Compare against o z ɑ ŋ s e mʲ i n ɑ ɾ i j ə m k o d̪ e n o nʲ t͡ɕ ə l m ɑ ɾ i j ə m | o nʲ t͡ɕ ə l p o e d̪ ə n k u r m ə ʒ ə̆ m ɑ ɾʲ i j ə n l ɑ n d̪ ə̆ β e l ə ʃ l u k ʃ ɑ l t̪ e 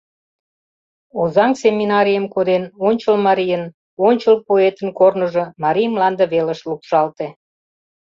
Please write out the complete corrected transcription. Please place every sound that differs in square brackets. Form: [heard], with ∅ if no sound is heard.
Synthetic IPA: o z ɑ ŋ s e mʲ i n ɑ ɾ i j ə m k o d̪ e n o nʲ t͡ɕ ə l m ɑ ɾ i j ə [n] | o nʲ t͡ɕ ə l p o e [t̪] ə n k [o] r [n] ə ʒ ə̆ m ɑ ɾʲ i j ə [m] l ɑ n d̪ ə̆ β e l ə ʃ l u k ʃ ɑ l t̪ e